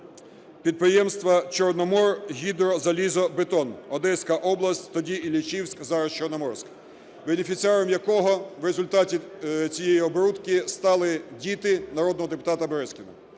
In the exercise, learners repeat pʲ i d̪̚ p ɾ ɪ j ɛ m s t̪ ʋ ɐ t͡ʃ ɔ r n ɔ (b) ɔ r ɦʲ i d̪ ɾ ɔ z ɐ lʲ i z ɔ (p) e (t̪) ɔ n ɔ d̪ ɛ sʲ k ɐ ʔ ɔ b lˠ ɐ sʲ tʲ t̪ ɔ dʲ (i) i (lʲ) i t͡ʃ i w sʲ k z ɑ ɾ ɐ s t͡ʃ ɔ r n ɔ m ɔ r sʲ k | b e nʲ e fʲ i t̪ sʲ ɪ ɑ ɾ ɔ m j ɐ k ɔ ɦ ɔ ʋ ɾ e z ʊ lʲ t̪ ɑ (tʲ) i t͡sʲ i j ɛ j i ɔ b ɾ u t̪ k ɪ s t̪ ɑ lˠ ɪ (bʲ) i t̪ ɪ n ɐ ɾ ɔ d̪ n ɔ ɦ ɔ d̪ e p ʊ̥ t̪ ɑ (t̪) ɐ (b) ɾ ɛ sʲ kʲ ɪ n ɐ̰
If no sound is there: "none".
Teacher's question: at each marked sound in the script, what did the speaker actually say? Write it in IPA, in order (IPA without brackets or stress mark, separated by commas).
m, b, t̪, i, lʲ, tʲ, dʲ, t̪, b